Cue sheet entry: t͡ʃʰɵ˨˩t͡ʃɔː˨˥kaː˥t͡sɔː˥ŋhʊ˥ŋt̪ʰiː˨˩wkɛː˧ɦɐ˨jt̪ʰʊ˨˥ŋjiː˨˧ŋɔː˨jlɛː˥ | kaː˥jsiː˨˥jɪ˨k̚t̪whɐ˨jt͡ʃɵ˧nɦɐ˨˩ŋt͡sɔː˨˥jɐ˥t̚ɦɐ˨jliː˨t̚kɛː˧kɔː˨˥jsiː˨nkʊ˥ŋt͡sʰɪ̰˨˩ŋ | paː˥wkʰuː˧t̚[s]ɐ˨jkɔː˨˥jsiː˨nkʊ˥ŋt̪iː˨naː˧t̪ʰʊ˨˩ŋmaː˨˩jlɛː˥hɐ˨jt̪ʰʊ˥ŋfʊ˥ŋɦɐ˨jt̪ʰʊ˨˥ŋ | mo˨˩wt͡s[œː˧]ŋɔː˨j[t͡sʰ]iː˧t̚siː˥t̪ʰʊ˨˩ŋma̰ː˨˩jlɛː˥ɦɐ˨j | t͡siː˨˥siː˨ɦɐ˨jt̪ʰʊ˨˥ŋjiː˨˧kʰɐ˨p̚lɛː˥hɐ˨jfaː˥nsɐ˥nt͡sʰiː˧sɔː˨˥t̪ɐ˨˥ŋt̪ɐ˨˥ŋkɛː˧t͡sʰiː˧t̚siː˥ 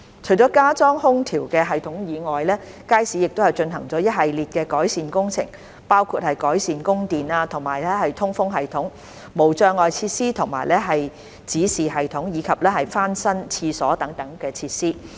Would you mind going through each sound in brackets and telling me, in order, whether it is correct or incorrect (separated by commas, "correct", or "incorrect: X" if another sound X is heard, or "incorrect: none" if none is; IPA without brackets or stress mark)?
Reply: incorrect: h, correct, correct